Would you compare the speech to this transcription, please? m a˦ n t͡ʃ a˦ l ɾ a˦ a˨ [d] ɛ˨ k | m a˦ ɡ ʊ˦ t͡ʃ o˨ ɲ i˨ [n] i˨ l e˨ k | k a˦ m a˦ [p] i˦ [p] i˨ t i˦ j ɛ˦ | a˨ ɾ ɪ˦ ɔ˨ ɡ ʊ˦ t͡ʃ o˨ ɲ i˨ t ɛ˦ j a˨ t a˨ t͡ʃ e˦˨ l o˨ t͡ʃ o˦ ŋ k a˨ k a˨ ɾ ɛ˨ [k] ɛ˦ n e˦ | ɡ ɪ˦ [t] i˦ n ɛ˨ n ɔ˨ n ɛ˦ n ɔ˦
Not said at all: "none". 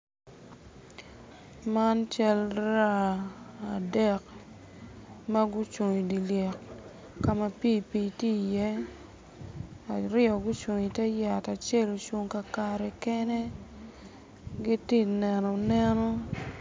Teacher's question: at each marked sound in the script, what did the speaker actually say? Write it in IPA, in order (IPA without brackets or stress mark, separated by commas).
d, d, p, p, k, t